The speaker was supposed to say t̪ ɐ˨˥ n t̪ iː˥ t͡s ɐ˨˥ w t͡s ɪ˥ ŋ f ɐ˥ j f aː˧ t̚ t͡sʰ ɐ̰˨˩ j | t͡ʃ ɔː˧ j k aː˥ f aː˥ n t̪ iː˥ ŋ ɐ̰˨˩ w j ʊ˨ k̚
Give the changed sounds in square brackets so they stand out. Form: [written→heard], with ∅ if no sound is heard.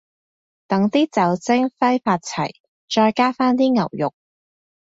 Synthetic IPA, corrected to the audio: t̪ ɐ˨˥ [n→ŋ] t̪ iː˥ t͡s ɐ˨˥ w t͡s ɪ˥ ŋ f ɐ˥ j f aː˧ t̚ t͡sʰ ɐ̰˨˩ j | t͡ʃ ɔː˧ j k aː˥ f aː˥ n t̪ iː˥ ŋ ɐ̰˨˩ w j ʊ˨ k̚